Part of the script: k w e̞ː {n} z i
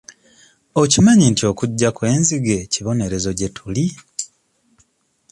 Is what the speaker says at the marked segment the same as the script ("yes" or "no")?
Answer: yes